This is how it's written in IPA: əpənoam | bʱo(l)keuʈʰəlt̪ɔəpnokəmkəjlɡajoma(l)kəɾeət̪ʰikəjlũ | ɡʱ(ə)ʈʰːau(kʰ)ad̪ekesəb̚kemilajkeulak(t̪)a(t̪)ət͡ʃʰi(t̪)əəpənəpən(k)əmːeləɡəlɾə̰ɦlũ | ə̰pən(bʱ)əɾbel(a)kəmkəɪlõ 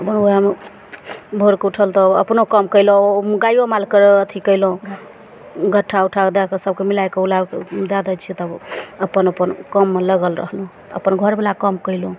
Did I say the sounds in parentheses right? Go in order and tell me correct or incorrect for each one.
incorrect: ɾ, correct, correct, incorrect: ʈʰ, incorrect: d̪, incorrect: d̪, correct, correct, incorrect: ɡʱ, correct

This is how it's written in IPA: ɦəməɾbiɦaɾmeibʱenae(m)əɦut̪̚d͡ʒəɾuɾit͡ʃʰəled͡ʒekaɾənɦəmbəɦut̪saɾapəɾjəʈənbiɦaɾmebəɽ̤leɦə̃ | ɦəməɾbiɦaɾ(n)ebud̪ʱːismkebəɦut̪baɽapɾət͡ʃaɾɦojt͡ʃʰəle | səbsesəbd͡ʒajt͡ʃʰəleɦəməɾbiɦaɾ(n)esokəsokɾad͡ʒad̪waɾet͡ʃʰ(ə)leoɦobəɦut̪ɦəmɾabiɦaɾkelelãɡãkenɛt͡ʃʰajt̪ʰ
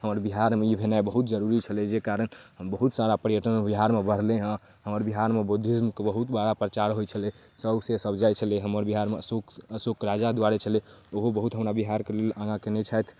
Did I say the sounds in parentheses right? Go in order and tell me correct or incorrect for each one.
incorrect: b, incorrect: m, incorrect: m, correct

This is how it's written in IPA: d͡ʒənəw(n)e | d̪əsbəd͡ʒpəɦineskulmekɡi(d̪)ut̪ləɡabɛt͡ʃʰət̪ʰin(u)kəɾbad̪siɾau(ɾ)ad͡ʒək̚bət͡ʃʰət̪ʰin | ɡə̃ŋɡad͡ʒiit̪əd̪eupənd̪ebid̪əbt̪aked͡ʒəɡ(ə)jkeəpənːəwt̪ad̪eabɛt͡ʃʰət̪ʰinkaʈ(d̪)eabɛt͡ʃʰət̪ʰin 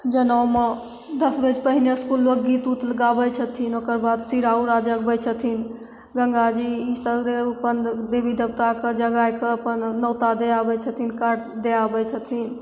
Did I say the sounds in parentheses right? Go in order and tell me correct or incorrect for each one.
incorrect: m, incorrect: t̪, incorrect: o, correct, incorrect: a, correct

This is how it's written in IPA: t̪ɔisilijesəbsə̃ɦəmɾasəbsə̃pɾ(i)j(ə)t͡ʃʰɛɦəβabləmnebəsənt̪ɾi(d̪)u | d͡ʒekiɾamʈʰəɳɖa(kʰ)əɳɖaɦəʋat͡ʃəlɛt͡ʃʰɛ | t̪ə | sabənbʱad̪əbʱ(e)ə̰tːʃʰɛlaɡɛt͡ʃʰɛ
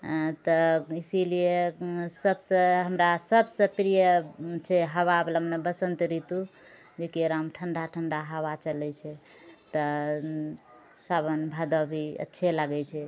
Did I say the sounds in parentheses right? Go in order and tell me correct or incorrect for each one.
correct, correct, incorrect: t̪, incorrect: ʈʰ, incorrect: i

